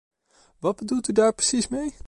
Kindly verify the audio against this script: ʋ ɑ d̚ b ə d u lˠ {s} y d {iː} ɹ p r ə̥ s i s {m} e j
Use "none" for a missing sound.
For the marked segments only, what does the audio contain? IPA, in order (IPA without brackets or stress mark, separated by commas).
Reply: t, aː, m